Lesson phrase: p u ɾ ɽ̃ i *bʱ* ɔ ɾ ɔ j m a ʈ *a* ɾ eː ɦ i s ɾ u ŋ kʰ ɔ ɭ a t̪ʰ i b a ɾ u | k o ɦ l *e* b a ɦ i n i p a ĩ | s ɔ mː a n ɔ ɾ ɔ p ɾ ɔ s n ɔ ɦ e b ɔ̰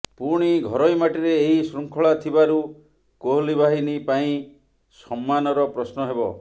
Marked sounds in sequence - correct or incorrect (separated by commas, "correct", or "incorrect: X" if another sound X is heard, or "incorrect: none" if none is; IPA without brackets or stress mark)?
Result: incorrect: ɡʱ, incorrect: i, incorrect: i